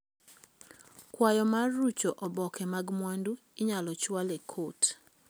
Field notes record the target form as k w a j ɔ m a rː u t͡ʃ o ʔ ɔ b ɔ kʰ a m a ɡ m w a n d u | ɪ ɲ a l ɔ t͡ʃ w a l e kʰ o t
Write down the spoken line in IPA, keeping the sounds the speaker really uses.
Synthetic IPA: k w a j ɔ m a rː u t͡ʃ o ʔ ɔ b ɔ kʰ ɛ m a ɡ m w a n d u | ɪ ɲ a l ɔ t͡ʃ w a l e kʰ o t